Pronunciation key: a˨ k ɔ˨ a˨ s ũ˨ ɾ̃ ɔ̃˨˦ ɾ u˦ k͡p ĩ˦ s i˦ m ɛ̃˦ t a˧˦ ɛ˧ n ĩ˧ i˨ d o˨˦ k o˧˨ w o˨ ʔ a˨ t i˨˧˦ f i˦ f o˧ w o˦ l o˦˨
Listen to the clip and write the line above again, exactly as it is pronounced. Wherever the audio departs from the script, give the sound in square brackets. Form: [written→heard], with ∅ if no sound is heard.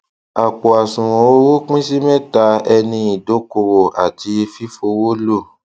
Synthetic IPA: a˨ [k→k͡p] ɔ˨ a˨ s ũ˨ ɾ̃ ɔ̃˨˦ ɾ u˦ k͡p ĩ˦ s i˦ m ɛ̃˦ t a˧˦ ɛ˧ n ĩ˧ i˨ d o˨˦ k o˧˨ w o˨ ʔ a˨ t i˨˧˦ f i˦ f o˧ w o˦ l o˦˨

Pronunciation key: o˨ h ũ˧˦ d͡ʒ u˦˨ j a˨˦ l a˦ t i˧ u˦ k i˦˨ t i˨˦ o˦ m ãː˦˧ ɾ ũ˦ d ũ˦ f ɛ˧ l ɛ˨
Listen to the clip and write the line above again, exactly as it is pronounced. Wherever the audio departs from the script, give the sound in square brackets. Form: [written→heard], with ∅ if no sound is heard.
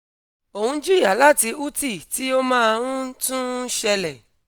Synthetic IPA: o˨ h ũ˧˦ d͡ʒ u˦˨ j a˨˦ l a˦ t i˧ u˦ [k→t] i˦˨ t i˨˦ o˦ m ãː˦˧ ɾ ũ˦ [d→t] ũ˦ [f→ʃ] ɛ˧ l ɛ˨

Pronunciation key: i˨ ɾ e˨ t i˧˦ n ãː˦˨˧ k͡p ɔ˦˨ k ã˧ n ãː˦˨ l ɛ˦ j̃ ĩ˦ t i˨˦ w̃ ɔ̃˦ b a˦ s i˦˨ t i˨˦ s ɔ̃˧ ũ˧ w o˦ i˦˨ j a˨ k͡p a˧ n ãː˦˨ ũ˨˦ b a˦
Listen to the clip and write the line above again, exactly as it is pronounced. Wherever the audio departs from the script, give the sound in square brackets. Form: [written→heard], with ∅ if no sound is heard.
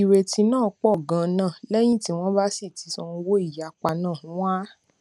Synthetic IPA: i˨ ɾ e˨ t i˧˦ n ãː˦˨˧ k͡p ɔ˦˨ [k→ɡ] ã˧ n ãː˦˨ l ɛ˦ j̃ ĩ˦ t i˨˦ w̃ ɔ̃˦ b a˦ s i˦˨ t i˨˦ s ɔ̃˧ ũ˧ w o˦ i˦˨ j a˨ k͡p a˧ n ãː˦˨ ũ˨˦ [b→w] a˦

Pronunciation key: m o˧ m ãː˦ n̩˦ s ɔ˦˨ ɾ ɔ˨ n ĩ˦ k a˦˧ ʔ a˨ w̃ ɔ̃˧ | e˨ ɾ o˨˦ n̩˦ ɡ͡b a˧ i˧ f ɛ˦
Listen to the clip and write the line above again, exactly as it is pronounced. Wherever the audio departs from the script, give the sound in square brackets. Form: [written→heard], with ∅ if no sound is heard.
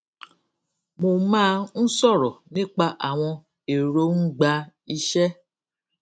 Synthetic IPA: m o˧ m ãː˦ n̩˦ s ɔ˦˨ ɾ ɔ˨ n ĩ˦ [k→k͡p] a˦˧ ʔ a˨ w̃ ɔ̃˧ | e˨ ɾ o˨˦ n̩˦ ɡ͡b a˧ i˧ [f→ʃ] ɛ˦

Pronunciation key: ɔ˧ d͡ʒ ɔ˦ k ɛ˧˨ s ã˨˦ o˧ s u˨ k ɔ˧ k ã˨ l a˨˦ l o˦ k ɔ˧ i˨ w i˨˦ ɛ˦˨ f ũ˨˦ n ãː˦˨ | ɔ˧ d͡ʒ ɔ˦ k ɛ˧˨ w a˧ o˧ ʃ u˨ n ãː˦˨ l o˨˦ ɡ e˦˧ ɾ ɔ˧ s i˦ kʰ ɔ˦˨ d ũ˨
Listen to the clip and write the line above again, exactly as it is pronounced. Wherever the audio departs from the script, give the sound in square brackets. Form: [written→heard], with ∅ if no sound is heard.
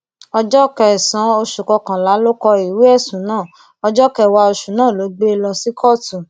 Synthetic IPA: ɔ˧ d͡ʒ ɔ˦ k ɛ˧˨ s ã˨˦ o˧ [s→ʃ] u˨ k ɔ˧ k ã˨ l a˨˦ l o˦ k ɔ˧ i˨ w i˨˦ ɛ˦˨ [f→s] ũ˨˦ n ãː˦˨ | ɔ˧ d͡ʒ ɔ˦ k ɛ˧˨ w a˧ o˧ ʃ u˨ n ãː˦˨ l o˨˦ [ɡ→ɡ͡b] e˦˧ [ɾ→l] ɔ˧ s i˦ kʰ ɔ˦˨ [d→t] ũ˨

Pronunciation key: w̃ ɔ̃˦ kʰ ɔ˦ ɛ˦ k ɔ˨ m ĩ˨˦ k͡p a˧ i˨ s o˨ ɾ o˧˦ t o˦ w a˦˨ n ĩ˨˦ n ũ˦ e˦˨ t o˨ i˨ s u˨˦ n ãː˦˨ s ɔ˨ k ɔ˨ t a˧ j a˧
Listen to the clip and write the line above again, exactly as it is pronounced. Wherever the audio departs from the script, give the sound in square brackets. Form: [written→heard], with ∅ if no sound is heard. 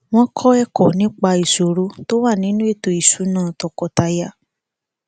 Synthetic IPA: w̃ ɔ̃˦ kʰ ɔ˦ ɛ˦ k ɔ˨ [m→n] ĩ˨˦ k͡p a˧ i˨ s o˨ ɾ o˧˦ t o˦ w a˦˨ n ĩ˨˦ n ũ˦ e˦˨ t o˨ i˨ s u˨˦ n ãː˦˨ [s→t] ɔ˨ k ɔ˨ t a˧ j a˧

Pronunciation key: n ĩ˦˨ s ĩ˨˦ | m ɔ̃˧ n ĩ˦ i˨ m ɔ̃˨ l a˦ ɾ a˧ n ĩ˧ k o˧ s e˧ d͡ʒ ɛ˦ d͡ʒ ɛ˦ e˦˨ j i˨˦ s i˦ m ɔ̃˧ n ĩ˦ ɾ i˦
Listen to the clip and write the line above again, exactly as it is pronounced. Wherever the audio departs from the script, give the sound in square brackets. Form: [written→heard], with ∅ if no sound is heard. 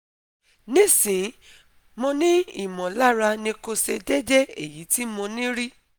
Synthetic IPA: n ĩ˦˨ s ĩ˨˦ | m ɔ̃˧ n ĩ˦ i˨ m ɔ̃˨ l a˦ ɾ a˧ n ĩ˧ k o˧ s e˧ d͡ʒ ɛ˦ d͡ʒ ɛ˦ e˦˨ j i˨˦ [s→t] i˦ m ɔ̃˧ n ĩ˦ ɾ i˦

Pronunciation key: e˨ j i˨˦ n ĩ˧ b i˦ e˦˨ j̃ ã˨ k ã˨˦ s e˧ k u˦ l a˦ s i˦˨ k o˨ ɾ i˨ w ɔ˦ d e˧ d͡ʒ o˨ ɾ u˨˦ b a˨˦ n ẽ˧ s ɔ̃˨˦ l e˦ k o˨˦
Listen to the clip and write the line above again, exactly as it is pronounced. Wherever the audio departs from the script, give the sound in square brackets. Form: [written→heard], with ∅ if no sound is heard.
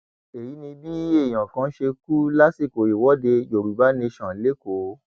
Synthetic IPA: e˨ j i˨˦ n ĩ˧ b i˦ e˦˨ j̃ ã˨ k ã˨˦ [s→ʃ] e˧ k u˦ l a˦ s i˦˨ k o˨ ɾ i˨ w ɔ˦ d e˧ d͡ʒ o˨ ɾ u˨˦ b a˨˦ n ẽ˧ [s→ʃ] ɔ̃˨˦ l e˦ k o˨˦

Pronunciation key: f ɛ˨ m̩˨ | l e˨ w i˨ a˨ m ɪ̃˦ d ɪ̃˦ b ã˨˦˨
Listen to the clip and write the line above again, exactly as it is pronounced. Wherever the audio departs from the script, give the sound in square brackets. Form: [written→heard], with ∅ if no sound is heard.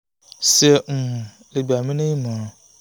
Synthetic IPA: [f→s] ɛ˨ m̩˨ | l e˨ [w→b] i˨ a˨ m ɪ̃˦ [d→n] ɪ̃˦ [b→m] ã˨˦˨

